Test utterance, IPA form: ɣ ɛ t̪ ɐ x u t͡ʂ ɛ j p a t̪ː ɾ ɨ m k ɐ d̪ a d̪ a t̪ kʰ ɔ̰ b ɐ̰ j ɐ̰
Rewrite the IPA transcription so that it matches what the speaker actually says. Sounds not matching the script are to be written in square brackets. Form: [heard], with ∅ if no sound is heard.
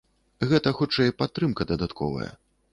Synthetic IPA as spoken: ɣ ɛ t̪ ɐ x u t͡ʂ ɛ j p a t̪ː ɾ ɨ m k ɐ d̪ [ɐ] d̪ a t̪ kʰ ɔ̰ [v] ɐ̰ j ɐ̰